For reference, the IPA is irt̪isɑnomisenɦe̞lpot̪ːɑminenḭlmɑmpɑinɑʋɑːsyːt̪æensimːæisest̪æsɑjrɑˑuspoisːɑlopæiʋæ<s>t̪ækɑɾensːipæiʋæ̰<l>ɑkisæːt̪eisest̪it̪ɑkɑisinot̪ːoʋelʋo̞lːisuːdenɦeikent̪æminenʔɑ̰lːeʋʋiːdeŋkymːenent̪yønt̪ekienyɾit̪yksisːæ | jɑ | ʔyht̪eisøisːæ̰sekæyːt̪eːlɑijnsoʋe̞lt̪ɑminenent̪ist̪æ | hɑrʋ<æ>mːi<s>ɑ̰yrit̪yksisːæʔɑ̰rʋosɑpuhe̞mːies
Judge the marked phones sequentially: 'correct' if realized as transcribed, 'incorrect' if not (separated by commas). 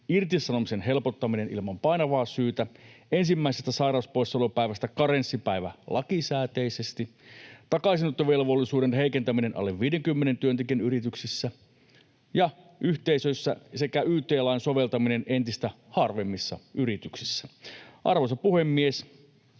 correct, correct, incorrect, incorrect